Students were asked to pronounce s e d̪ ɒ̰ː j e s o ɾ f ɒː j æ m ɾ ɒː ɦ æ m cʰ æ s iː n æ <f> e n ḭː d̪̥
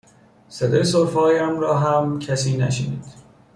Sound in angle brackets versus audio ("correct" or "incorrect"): incorrect